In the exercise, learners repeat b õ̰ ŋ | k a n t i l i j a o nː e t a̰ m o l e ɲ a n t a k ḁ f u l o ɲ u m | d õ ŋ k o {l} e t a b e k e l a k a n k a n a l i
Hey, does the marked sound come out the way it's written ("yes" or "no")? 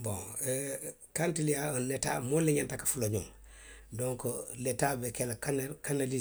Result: yes